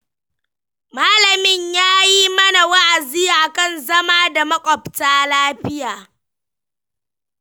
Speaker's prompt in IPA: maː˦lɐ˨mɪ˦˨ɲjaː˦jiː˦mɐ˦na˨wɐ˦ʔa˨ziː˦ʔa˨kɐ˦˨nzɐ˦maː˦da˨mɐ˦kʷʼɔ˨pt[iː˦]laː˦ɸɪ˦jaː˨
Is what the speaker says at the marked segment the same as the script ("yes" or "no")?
no